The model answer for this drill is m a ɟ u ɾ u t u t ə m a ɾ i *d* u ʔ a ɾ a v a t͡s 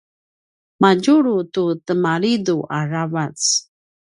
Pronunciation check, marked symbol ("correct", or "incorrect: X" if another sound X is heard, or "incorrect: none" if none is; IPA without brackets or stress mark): correct